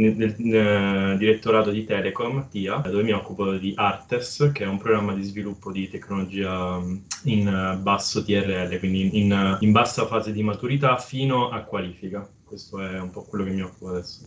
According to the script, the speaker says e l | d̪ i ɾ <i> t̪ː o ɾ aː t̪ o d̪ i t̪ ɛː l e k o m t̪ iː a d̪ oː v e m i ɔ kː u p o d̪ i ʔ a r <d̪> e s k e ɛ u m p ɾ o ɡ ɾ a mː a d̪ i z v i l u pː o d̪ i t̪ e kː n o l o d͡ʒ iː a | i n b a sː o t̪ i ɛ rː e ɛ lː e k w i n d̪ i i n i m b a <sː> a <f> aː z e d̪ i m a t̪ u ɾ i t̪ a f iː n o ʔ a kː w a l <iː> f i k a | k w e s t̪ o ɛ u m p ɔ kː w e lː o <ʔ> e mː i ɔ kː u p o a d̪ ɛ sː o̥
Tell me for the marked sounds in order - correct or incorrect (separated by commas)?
incorrect, incorrect, correct, correct, correct, incorrect